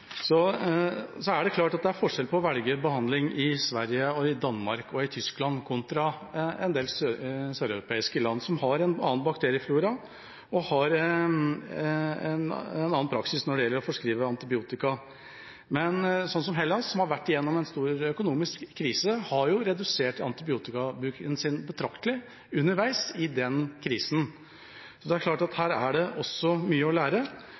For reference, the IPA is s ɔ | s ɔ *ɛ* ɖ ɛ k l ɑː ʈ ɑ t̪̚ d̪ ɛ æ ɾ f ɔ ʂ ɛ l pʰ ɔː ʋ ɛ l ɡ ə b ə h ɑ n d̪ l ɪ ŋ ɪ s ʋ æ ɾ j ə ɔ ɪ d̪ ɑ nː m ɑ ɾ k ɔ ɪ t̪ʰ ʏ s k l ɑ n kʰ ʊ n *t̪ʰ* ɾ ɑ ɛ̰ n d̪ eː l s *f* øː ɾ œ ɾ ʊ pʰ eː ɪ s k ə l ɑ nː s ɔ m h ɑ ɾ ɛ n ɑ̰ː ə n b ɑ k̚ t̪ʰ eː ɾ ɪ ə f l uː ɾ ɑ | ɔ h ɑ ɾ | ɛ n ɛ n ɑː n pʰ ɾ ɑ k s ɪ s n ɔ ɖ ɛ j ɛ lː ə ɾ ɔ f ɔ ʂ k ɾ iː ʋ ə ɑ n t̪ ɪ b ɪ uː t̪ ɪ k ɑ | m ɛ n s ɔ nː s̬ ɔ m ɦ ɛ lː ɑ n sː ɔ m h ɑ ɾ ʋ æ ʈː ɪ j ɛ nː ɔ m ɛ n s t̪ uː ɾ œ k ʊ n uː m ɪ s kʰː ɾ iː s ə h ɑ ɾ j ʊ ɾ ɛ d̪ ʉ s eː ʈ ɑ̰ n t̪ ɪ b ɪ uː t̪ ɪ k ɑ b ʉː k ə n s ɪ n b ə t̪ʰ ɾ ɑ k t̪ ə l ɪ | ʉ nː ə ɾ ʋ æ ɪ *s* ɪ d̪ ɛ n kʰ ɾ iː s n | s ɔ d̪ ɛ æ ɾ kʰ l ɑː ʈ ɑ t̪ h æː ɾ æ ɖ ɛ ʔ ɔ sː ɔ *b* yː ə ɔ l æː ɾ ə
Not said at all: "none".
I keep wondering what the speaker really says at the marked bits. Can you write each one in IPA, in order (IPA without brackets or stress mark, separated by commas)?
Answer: æ, t̪, s, s, m